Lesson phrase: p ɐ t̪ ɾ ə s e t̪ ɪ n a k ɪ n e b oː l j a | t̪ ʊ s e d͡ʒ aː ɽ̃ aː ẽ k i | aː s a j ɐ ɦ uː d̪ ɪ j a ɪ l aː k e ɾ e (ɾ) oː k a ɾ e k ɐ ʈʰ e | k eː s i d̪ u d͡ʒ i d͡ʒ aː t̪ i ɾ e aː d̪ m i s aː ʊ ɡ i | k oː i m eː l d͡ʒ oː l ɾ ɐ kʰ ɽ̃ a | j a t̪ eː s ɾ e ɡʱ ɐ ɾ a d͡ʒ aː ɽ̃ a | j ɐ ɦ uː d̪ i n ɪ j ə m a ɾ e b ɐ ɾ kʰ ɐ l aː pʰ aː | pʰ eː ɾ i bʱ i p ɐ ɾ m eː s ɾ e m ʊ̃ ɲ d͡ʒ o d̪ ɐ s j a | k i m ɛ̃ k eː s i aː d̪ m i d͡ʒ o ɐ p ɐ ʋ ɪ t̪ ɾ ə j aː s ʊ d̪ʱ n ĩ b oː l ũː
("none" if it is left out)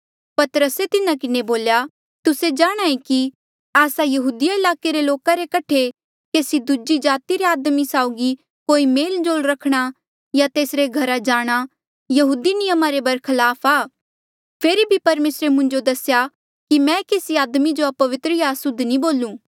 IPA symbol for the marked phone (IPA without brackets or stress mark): l